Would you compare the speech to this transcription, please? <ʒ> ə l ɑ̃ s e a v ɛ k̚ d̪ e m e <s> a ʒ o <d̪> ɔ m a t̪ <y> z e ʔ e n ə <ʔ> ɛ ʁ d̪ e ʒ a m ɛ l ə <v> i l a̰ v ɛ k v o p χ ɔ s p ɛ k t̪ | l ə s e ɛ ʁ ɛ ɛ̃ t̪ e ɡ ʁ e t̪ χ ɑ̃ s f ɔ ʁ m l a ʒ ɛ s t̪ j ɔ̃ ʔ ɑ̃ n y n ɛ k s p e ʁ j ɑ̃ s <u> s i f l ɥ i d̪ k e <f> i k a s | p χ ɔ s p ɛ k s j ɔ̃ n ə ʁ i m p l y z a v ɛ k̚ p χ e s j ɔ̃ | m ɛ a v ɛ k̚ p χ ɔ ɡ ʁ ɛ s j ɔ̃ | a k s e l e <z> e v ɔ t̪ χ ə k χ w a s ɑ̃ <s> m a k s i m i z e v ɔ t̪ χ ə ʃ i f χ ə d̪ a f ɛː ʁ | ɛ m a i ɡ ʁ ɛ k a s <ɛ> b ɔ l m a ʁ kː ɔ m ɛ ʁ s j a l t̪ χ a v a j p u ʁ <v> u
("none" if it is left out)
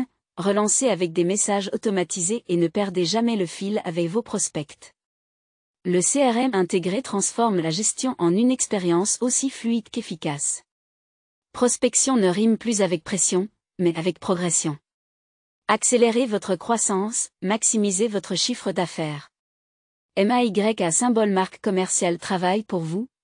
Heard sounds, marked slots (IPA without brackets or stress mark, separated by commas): ʁ, s, t̪, i, p, f, o, f, ʁ, s, ɛ̃, v